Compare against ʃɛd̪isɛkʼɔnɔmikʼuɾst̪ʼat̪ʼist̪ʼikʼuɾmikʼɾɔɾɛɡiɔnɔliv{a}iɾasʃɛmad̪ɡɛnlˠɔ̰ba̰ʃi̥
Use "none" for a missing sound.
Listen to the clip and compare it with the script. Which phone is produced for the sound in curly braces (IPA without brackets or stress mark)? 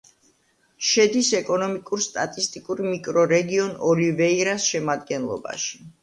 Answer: ɛ